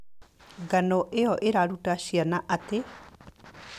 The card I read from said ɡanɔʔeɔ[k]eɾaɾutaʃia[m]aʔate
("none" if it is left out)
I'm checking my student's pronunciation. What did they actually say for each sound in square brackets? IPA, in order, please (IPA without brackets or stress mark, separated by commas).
ʔ, n